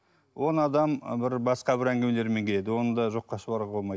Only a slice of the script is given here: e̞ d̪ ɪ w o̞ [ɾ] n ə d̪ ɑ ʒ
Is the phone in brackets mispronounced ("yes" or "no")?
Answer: yes